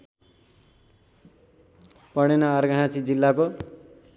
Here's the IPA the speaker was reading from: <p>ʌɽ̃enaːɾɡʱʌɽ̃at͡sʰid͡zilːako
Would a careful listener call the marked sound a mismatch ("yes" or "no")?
no